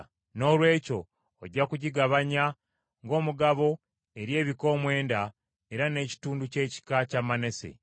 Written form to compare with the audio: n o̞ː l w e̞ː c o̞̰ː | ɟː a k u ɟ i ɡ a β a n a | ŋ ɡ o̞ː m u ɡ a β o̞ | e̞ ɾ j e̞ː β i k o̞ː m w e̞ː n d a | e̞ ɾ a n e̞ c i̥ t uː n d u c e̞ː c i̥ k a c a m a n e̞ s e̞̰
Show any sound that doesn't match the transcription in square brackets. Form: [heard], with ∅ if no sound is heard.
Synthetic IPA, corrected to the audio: n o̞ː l w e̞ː c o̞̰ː | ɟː a k u ɟ i ɡ a β a [ɲ] a | ŋ ɡ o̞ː m u ɡ a β o̞ | e̞ ɾ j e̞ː β i k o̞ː m w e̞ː n d a | e̞ ɾ a n e̞ c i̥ t uː n d u c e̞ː c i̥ k a c a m a n e̞ s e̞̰